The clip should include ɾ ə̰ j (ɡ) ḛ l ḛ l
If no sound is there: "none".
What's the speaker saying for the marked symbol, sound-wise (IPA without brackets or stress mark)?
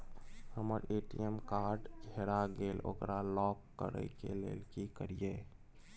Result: k